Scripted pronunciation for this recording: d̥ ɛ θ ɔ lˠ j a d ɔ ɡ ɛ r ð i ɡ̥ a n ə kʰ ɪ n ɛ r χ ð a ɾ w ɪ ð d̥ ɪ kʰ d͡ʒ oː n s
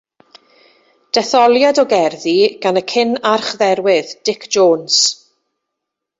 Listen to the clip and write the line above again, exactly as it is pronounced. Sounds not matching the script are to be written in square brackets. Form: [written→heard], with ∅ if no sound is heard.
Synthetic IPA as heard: d̥ ɛ θ ɔ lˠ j a d ɔ ɡ ɛ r ð i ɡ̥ a n ə kʰ ɪ n [ɛ→a] r χ ð [a→ɛ] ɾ w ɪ ð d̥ ɪ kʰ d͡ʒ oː n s